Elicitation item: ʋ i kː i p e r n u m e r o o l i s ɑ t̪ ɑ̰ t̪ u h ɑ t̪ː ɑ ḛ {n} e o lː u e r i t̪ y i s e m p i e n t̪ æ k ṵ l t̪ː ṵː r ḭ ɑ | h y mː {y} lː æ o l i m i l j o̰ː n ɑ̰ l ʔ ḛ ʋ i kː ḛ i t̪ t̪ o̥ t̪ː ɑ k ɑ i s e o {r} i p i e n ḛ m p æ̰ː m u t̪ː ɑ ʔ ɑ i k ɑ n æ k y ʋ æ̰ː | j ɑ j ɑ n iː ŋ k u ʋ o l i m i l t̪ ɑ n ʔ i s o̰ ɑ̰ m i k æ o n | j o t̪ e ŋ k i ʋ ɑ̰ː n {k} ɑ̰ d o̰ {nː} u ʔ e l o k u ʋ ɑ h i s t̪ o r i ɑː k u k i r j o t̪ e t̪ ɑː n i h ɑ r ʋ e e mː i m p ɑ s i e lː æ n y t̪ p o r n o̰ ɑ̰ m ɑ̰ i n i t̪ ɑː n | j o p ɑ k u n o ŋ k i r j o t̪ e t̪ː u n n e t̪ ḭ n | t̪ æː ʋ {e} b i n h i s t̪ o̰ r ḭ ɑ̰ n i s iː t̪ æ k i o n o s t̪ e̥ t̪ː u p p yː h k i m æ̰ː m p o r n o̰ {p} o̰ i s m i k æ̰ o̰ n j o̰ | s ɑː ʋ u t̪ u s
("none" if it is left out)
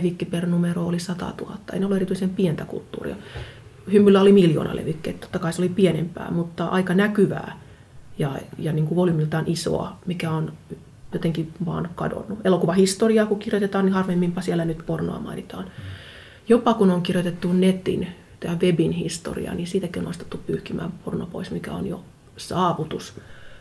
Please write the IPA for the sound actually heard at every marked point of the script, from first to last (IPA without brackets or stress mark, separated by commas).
n, y, l, k, nː, e, p